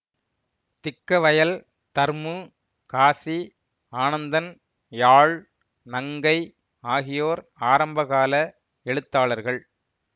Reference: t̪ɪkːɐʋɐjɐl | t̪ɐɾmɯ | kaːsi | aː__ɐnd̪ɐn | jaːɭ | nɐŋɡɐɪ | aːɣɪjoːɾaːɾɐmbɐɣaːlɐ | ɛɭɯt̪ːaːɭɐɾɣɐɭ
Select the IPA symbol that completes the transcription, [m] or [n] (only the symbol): n